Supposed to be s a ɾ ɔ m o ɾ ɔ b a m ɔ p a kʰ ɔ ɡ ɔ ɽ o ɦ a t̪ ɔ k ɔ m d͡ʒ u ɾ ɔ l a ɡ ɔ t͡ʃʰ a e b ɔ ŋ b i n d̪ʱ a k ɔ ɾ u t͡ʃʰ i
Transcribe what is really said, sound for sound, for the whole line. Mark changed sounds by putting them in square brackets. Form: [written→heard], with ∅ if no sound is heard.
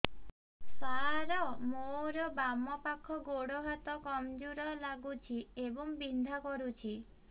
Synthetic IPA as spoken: s a ɾ ɔ m o ɾ ɔ b a m ɔ p a kʰ ɔ ɡ [ɔ→o] ɽ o ɦ a t̪ ɔ k ɔ m d͡ʒ u ɾ ɔ l a ɡ [ɔ→u] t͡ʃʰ [a→i] e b ɔ ŋ b i n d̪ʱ a k ɔ ɾ u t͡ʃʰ i